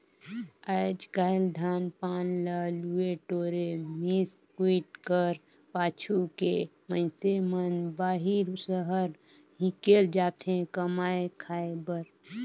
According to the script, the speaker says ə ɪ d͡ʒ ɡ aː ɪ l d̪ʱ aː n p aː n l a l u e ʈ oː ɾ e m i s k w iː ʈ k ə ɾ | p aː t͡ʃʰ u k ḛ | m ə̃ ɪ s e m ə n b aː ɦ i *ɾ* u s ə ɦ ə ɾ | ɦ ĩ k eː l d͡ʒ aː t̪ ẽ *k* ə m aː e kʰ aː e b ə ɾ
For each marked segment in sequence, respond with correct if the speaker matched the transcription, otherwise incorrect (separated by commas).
correct, correct